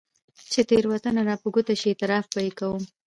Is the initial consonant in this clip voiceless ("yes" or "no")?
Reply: yes